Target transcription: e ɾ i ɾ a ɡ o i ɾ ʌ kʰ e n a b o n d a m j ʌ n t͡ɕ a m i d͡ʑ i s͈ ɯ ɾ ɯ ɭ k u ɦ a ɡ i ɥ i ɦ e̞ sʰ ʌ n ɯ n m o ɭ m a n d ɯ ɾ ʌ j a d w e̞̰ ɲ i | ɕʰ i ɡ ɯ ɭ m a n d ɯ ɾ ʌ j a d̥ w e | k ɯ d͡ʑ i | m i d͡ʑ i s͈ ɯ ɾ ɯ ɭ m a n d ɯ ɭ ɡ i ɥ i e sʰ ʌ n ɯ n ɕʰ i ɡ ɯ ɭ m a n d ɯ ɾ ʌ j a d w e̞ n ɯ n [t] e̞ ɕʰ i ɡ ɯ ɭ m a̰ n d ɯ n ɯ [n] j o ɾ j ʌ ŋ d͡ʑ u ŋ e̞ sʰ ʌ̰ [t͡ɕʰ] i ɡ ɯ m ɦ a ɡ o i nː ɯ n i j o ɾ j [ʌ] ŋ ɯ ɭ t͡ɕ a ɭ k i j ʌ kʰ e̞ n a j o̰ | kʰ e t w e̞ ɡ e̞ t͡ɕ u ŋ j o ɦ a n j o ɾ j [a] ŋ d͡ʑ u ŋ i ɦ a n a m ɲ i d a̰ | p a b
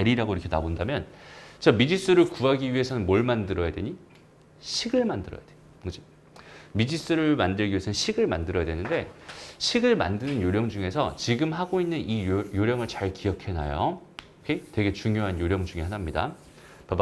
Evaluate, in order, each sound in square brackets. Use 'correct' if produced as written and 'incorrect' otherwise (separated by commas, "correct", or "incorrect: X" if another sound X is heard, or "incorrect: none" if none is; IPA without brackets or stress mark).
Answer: incorrect: d, correct, incorrect: t͡ɕ, correct, incorrect: ʌ